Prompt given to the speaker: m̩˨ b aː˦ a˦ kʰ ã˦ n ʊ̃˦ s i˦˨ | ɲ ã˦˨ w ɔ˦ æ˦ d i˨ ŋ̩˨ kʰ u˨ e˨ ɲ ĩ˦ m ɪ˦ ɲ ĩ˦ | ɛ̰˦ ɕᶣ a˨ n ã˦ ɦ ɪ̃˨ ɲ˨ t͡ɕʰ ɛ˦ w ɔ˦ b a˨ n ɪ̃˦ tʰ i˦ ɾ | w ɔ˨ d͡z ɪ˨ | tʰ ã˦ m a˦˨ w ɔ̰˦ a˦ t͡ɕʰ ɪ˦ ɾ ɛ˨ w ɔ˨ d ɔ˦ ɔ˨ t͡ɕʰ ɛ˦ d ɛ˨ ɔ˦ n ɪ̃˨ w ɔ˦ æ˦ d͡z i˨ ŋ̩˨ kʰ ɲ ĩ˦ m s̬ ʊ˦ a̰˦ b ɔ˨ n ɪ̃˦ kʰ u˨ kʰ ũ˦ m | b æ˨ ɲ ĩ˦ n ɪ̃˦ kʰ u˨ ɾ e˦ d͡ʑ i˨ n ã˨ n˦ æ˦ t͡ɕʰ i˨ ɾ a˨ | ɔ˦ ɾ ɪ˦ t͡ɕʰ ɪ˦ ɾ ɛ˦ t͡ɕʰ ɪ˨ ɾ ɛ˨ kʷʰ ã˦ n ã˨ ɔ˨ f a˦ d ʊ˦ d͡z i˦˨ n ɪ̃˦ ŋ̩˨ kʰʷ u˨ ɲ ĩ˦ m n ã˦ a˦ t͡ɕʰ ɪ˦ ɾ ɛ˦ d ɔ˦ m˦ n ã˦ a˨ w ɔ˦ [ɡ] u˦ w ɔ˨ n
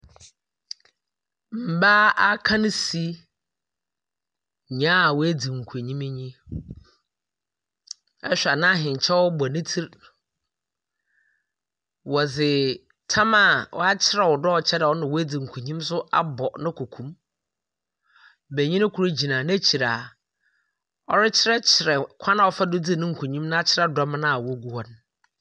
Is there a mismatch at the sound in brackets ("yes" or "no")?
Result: no